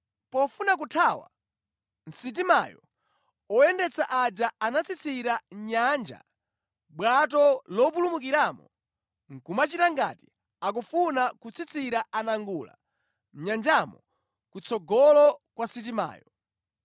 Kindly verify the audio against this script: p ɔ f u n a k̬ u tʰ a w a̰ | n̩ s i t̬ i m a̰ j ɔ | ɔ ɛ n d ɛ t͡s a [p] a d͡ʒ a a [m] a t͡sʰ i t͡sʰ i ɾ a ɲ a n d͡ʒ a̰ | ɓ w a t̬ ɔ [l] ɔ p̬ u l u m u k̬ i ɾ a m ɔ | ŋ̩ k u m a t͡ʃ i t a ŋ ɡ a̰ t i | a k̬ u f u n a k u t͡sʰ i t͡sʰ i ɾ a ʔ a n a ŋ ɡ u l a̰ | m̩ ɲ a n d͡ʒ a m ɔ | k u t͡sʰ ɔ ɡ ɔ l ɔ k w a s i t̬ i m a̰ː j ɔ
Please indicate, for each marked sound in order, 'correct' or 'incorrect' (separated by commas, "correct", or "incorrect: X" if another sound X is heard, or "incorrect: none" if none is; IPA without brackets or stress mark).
incorrect: ʔ, incorrect: n, correct